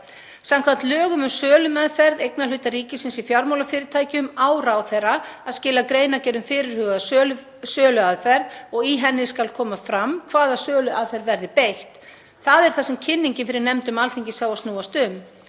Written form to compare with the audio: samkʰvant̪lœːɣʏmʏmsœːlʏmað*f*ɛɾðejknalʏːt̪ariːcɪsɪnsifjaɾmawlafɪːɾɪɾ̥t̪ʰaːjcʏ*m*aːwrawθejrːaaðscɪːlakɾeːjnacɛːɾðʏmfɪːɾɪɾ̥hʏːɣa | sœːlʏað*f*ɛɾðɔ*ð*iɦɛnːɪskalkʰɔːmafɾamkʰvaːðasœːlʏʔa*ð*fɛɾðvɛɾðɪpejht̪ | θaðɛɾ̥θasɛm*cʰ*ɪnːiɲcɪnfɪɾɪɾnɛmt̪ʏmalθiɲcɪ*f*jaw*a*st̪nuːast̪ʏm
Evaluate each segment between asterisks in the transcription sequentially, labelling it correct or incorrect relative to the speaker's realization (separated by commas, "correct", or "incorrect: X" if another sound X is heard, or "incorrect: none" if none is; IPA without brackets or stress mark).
correct, correct, correct, incorrect: ɣ, correct, correct, incorrect: s, correct